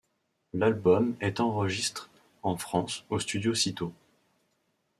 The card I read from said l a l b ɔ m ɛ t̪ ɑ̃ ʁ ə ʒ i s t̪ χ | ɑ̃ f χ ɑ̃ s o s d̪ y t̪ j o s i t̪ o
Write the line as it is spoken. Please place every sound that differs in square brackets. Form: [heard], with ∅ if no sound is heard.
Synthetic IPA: l a l b ɔ m ɛ t̪ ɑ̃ ʁ ə ʒ i s t̪ χ | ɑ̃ f χ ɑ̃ s o s [t̪] y [d̪] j o s i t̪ o